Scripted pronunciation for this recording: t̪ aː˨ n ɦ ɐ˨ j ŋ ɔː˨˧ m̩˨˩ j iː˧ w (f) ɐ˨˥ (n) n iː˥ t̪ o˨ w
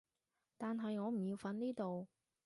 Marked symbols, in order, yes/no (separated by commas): yes, yes